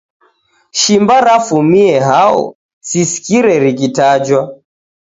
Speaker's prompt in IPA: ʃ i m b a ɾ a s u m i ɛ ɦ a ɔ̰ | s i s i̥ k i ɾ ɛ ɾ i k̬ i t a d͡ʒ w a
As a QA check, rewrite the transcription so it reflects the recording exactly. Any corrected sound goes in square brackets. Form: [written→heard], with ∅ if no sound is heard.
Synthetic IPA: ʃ i m b a ɾ a [s→f] u m i ɛ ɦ a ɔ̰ | s i s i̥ k i ɾ ɛ ɾ i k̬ i t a d͡ʒ w a

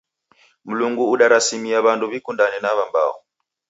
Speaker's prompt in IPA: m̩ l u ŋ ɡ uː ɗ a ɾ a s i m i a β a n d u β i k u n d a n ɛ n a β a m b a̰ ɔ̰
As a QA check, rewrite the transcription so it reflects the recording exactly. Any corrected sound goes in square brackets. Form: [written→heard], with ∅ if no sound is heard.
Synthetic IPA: m̩ l u ŋ ɡ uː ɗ a ɾ a s i m i a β a n d u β i k u n d a n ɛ n a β a m b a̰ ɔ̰

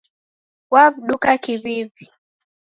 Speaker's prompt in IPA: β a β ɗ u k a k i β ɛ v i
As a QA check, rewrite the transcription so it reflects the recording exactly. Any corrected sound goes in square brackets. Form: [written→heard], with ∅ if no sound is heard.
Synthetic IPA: [β→w] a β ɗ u k a k i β [ɛ→i] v i

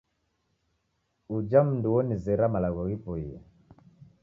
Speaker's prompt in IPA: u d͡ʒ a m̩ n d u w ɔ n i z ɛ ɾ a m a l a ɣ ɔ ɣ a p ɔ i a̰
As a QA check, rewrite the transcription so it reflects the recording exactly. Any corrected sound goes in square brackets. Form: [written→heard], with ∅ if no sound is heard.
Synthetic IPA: u d͡ʒ a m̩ n d u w ɔ n i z ɛ ɾ a m a l a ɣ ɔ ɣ [a→i] p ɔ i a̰

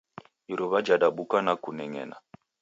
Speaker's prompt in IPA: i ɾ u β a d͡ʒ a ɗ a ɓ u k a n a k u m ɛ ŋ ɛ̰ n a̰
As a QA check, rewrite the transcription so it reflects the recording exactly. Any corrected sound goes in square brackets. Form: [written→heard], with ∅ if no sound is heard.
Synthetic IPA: i ɾ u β a d͡ʒ a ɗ a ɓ u k a n a k u [m→n] ɛ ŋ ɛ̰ n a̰

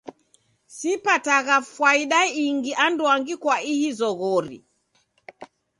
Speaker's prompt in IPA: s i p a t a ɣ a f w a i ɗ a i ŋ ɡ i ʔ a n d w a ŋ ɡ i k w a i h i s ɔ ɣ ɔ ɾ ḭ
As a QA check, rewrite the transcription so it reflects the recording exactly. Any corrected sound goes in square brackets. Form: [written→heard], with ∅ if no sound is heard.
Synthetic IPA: s i p a t a ɣ a f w a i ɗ a i ŋ ɡ i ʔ a n d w a ŋ ɡ i k w a i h i [s→z] ɔ ɣ ɔ ɾ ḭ

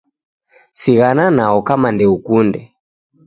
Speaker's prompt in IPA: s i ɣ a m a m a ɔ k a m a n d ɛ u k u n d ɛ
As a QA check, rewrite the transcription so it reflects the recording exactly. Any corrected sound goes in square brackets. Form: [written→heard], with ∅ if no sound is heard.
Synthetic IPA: s i ɣ a [m→n] a [m→n] a ɔ k a m a n d ɛ u k u n d ɛ

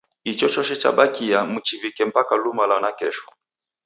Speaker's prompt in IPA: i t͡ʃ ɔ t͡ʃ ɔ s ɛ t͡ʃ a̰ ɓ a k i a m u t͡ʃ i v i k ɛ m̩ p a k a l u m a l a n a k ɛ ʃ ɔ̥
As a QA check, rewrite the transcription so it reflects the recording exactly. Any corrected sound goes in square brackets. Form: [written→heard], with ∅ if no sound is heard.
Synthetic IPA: i t͡ʃ ɔ t͡ʃ ɔ [s→ʃ] ɛ t͡ʃ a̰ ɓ a k i a m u t͡ʃ i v i k ɛ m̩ p a k a l u m a l a n a k ɛ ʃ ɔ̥

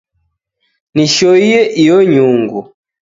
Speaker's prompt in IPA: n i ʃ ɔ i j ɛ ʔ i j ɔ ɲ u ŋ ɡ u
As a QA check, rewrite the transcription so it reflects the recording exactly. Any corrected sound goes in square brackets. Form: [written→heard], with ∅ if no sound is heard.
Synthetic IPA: n i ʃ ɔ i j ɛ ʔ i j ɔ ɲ u ŋ ɡ u

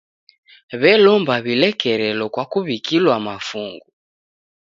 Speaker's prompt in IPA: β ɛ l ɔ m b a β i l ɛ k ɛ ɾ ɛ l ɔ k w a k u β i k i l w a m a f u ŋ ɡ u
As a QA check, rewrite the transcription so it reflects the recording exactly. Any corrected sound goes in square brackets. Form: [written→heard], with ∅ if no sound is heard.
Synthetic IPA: β ɛ l ɔ m b a β i l ɛ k ɛ ɾ ɛ l ɔ k w a k u β i k i l w a m a f u ŋ ɡ u

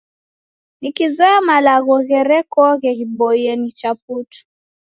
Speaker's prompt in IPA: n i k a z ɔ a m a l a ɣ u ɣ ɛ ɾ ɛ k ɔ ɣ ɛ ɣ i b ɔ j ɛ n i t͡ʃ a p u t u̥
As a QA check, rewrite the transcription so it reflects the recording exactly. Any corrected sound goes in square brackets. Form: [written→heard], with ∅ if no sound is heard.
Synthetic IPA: n i k [a→i] z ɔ a m a l a ɣ [u→ɔ] ɣ ɛ ɾ ɛ k ɔ ɣ ɛ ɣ i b ɔ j ɛ n i t͡ʃ a p u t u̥

